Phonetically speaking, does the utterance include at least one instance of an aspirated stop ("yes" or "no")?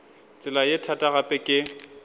yes